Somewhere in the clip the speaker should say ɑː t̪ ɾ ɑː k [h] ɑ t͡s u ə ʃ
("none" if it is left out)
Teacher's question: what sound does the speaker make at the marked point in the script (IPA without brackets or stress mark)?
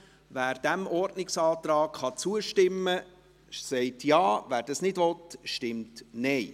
χ